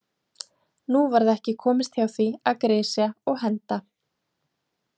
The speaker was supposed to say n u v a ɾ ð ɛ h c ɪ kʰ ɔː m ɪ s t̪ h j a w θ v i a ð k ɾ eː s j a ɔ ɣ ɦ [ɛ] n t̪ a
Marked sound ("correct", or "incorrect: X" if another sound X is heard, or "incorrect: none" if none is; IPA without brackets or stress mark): correct